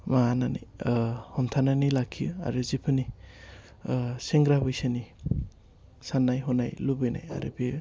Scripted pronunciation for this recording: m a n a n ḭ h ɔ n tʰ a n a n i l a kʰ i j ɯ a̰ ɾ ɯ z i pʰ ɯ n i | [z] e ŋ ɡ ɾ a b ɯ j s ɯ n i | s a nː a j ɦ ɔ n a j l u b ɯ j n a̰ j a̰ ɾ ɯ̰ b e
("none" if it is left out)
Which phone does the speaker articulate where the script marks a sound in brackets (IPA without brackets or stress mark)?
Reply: s